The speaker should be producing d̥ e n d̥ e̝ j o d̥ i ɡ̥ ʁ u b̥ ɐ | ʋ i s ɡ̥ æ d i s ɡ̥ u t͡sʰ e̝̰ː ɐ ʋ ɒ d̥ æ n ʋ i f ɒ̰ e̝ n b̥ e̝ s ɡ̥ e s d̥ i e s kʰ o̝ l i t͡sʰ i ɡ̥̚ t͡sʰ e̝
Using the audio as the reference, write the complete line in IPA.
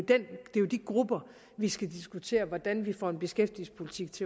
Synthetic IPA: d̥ e n d̥ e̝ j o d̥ i ɡ̥ ʁ u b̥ ɐ | ʋ i s ɡ̥ æ d i s ɡ̥ u t͡sʰ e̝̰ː ɐ ʋ ɒ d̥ æ n ʋ i f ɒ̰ e̝ n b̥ e̝ s ɡ̥ e f d̥ i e s pʰ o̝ l i t͡sʰ i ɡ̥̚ t͡sʰ e̝